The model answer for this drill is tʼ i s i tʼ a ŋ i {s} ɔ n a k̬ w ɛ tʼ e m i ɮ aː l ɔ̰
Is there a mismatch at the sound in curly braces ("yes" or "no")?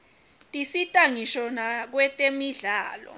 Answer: yes